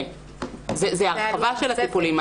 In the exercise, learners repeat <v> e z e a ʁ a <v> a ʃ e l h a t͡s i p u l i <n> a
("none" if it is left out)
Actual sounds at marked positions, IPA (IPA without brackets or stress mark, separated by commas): z, v, m